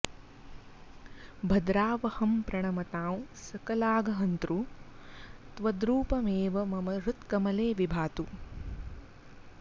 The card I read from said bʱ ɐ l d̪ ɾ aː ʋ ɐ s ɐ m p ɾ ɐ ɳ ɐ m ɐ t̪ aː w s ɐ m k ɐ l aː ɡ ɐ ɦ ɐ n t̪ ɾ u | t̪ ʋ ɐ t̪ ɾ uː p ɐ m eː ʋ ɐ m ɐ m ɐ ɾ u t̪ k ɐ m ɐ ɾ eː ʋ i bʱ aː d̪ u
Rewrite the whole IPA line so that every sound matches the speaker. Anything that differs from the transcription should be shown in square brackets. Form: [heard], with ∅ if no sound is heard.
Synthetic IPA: bʱ ɐ [∅] d̪ ɾ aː ʋ ɐ [h] ɐ m p ɾ ɐ ɳ ɐ m ɐ t̪ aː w s ɐ [∅] k ɐ l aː ɡ ɐ ɦ ɐ n t̪ ɾ u | t̪ ʋ ɐ [d̪] ɾ uː p ɐ m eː ʋ ɐ m ɐ m ɐ ɾ u t̪ k ɐ m ɐ [l] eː ʋ i bʱ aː [t̪] u